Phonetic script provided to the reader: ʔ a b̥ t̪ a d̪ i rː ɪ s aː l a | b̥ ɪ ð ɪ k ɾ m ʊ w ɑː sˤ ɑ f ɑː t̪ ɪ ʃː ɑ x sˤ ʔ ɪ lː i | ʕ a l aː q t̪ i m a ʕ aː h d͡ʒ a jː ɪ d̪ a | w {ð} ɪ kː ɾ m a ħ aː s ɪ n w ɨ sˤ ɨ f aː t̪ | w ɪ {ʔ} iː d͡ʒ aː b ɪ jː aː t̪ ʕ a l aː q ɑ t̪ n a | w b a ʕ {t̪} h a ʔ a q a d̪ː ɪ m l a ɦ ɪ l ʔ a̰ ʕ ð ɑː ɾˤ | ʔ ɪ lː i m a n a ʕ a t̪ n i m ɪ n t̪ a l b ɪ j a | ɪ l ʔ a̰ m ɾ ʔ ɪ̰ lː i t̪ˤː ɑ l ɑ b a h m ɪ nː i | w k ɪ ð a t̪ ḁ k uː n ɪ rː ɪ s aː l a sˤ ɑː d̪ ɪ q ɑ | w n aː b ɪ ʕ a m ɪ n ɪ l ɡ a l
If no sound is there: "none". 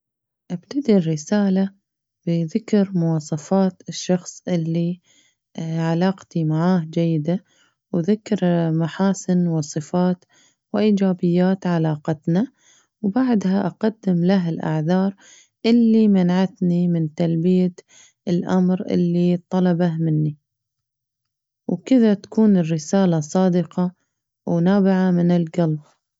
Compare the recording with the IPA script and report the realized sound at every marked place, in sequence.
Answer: ð, ʔ, d̪

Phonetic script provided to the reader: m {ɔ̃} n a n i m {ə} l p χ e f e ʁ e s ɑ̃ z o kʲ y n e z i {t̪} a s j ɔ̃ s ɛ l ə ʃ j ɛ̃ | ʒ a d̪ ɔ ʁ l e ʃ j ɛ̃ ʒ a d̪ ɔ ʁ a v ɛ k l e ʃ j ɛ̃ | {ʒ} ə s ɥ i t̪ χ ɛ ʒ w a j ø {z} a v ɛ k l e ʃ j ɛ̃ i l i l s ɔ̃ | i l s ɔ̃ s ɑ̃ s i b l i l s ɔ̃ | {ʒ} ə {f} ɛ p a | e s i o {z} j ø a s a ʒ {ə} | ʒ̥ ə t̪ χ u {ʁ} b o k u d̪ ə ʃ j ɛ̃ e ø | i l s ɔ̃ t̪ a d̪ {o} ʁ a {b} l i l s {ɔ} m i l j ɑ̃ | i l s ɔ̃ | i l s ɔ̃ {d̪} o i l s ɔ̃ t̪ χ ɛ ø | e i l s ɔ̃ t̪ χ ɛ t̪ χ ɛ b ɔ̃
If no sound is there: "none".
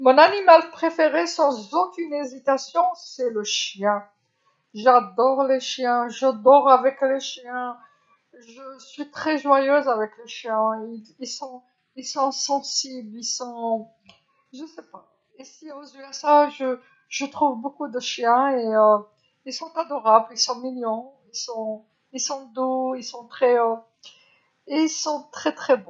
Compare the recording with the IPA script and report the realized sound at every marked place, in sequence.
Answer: ɔ̃, a, t̪, ʒ, z, ʒ, s, z, ə, v, ɔ, b, ɔ̃, d̪

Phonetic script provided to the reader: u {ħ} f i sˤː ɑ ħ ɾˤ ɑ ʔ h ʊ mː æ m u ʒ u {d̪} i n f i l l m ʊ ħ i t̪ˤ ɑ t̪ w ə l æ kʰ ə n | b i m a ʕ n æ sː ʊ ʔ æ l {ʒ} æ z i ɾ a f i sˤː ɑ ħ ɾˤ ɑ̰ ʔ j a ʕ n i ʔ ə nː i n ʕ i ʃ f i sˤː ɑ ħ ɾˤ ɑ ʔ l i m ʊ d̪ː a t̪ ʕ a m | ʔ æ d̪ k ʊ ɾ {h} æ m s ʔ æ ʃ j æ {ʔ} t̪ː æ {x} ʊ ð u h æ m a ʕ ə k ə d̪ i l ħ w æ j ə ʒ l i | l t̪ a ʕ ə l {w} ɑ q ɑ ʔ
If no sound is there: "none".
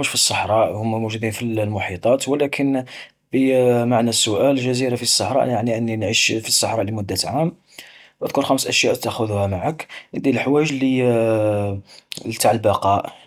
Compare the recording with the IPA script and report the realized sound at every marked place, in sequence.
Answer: ʃ, d̪, ʒ, x, ʔ, x, b

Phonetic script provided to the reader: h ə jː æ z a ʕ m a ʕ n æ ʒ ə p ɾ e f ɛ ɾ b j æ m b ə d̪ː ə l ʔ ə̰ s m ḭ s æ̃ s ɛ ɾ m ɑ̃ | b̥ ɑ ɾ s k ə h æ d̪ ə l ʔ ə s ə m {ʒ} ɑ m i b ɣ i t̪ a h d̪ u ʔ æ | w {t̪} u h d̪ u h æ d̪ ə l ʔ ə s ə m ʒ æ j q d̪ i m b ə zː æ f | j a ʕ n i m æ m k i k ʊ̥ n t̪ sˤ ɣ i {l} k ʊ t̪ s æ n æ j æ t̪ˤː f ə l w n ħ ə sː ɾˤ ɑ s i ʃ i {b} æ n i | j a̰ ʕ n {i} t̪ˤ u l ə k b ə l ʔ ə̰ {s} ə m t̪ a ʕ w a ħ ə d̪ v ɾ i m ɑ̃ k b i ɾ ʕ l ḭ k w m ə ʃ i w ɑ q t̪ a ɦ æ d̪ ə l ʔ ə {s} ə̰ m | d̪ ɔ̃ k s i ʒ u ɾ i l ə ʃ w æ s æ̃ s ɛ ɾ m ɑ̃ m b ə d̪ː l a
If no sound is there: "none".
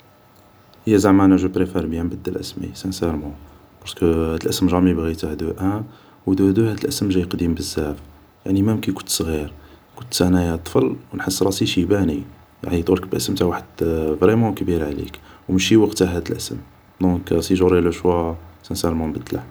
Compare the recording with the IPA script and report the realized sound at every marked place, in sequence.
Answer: ʒ, d̪, ɾ, b, i, s, s

